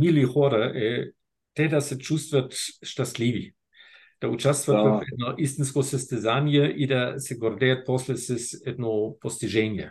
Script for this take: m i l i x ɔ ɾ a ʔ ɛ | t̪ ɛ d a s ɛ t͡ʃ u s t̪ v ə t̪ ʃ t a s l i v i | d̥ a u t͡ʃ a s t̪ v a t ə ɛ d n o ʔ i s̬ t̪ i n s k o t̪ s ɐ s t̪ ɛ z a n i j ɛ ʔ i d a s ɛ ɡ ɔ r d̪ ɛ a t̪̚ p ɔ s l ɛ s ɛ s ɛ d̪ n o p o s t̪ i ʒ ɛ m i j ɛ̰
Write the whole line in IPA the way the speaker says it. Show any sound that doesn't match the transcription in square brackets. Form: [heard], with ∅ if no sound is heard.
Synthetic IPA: m i l i x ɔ ɾ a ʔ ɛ | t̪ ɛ d a s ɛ t͡ʃ u s t̪ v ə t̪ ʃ t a s l i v i | d̥ a u t͡ʃ a s t̪ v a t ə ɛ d n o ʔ i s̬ t̪ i n s k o [∅] s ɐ s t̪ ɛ z a n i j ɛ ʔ i d a s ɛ ɡ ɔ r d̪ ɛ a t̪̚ p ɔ s l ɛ s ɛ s ɛ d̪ n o p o s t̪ i ʒ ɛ [n] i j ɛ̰